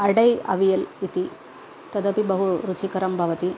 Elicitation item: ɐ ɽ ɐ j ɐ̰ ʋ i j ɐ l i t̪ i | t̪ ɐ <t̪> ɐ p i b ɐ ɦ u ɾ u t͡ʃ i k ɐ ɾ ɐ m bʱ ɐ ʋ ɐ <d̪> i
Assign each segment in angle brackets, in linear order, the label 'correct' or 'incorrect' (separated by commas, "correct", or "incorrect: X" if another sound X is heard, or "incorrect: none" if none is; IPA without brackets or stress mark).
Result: incorrect: d̪, incorrect: t̪